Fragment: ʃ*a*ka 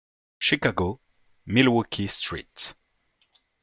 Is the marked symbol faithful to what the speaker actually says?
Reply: no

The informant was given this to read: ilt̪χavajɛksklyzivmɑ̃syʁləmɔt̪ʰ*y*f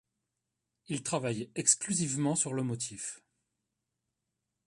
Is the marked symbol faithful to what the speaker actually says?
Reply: no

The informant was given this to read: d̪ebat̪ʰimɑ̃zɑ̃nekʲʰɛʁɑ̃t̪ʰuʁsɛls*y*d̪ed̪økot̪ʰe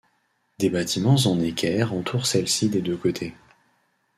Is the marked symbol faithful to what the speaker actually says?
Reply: no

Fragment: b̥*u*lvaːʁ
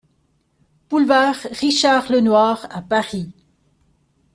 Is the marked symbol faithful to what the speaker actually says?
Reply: yes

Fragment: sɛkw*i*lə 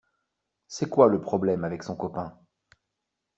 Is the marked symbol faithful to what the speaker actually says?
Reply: no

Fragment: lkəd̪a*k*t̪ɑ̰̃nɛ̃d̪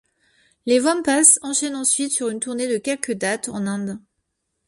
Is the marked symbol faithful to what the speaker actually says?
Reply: no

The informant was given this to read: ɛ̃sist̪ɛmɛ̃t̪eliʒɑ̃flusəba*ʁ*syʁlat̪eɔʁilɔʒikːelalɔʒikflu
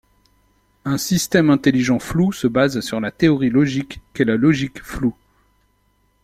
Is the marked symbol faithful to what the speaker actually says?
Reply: no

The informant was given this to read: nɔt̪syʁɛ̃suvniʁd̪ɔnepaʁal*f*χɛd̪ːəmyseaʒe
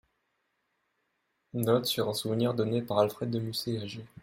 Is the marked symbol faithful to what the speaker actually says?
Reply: yes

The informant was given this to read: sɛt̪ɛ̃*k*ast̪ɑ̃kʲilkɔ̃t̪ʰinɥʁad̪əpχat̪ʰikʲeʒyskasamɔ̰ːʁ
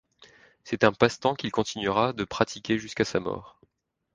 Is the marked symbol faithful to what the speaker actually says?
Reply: no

